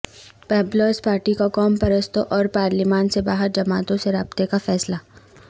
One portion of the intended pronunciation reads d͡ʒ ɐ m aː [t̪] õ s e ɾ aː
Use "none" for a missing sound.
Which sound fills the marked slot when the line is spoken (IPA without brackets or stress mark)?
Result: t̪